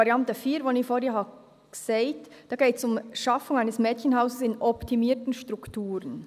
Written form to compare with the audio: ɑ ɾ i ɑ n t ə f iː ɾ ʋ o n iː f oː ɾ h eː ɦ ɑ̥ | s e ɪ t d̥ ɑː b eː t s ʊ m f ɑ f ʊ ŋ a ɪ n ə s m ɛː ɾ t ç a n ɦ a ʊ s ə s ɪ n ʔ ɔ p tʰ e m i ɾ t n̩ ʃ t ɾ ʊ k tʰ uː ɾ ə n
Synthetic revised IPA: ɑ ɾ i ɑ n t ə f iː ɾ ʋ o n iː f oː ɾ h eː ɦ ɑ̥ | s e ɪ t d̥ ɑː ɡ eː t s ʊ m ʃ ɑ f ʊ ŋ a ɪ n ə s m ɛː t ç ə n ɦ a ʊ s ə s ɪ n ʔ ɔ p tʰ i m iː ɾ t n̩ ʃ t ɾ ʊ k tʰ uː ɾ ə n